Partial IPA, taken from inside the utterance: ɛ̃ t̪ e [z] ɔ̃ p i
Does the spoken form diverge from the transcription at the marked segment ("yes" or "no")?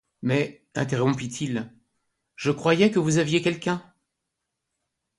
yes